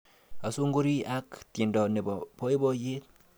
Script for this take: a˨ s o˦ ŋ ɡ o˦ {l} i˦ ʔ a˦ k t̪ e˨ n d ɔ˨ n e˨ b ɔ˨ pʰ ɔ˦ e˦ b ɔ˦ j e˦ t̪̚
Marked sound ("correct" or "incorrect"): incorrect